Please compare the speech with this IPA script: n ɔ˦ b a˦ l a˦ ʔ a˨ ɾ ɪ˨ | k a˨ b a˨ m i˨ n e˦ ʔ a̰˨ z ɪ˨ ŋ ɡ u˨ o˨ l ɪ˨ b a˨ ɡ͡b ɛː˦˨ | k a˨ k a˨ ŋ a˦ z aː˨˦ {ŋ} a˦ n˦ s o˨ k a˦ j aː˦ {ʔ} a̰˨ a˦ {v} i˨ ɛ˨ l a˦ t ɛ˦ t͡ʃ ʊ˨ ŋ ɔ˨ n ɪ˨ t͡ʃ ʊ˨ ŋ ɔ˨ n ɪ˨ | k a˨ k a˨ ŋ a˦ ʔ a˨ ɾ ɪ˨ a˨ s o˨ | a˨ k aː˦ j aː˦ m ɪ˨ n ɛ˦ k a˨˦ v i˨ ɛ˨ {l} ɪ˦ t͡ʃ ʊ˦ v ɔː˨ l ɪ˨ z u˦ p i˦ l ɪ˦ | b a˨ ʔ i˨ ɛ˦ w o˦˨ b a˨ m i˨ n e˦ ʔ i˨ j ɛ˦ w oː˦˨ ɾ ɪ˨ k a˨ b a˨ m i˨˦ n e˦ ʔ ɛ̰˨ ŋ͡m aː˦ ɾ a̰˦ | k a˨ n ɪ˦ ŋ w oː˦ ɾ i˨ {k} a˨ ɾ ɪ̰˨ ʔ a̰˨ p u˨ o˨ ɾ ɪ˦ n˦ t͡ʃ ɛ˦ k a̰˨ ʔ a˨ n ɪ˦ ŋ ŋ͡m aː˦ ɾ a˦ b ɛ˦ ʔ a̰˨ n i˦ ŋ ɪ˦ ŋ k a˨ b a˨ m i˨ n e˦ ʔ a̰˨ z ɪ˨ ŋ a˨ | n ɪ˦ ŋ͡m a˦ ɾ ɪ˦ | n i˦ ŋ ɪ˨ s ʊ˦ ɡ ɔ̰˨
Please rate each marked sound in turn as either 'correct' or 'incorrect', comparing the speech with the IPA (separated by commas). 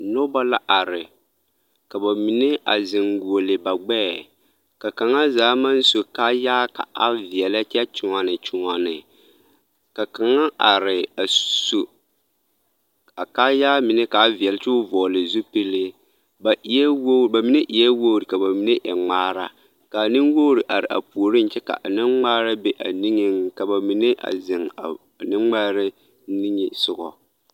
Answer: incorrect, incorrect, correct, correct, incorrect